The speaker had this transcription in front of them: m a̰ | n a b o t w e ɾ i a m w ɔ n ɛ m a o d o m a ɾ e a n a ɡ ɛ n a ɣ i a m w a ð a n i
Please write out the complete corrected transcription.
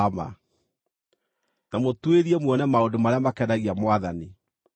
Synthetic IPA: m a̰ | n a m o t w e ɾ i ɛ m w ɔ n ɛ m a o d o m a ɾ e a m a k ɛ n a ɣ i a m w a ð a n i